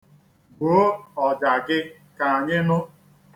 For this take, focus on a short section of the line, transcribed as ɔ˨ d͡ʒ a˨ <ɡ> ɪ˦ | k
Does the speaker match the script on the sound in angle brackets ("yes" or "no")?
yes